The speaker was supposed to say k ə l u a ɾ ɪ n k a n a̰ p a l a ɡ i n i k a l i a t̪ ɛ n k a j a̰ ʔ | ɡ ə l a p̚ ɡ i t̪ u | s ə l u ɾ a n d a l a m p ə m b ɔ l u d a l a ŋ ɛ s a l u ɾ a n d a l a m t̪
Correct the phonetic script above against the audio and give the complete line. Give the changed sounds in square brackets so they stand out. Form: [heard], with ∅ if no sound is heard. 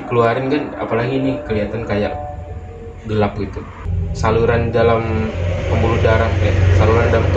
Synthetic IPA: k ə l u a ɾ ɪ n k a n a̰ p a l a ɡ i n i k [ə] l i a t̪ [a] n k a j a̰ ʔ | ɡ ə l a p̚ ɡ i t̪ u | s [a] l u ɾ a n d a l a m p ə m b [u] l u d a [ɾ] a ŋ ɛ s a l u ɾ a n d a l a m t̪